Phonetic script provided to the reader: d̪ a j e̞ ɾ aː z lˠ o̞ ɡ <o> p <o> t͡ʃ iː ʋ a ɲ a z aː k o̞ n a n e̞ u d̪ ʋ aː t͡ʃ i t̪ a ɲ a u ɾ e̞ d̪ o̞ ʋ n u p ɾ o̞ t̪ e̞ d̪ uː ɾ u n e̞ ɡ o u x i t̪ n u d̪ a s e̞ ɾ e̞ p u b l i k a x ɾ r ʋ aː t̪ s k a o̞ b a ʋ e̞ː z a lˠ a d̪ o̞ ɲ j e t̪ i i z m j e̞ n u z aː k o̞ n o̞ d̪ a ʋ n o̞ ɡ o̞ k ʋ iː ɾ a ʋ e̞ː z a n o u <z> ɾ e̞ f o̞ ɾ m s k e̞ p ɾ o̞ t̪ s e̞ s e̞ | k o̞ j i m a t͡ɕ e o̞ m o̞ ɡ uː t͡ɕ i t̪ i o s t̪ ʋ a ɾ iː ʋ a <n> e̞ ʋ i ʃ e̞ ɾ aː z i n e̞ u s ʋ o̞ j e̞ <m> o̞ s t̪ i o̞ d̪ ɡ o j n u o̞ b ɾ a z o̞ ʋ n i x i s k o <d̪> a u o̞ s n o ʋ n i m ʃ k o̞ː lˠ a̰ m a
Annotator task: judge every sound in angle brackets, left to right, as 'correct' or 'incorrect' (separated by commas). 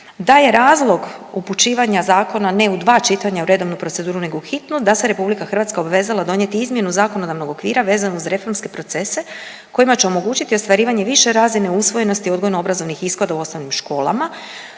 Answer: incorrect, incorrect, correct, incorrect, incorrect, correct